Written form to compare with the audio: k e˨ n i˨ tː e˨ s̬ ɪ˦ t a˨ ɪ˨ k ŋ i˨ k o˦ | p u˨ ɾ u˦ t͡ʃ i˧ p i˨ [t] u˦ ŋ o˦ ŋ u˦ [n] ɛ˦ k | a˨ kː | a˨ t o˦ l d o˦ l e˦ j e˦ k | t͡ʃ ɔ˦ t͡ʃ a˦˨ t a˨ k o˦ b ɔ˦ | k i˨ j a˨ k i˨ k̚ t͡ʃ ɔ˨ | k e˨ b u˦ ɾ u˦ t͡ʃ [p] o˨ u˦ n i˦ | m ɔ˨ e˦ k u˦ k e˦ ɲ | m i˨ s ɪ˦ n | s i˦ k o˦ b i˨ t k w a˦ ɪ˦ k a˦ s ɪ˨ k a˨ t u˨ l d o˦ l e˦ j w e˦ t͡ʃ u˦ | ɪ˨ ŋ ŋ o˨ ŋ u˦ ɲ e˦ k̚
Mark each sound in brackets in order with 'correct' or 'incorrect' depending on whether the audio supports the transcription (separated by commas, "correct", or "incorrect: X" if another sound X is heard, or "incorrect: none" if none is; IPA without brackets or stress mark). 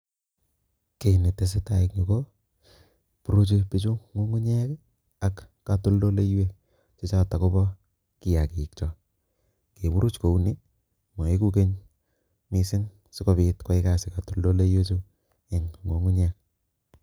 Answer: incorrect: t͡ʃ, incorrect: ɲ, incorrect: k